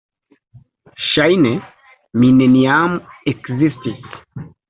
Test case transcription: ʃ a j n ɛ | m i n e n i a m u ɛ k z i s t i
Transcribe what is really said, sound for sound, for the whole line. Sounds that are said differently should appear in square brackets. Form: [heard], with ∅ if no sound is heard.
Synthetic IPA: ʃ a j n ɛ | m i n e n i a m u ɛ k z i s t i